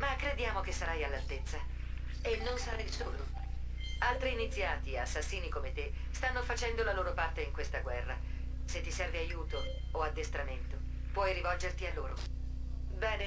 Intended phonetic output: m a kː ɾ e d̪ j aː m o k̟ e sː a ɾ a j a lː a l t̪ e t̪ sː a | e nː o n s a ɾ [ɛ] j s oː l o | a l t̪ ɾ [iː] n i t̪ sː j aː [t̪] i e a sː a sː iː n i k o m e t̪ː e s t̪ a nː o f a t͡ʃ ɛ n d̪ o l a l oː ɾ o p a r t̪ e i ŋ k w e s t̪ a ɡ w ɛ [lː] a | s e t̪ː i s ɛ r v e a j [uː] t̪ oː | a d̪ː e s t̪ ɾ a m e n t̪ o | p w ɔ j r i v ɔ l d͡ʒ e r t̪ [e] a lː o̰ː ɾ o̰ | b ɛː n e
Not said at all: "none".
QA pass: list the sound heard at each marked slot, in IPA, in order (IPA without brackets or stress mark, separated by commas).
a, iː, t̪, rː, uː, i